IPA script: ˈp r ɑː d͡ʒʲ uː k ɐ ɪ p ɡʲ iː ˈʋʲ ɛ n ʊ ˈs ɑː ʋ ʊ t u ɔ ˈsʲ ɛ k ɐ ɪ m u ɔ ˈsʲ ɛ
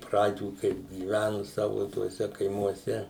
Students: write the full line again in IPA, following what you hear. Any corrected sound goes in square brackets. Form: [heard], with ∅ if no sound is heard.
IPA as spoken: ˈp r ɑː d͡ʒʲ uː k ɐ ɪ p ɡʲ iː ˈʋʲ [æ] n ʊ ˈs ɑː ʋ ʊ t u ɔ ˈsʲ ɛ k ɐ ɪ m u ɔ ˈsʲ ɛ